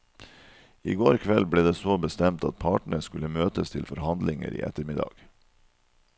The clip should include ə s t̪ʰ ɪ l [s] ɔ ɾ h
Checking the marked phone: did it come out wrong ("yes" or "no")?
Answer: yes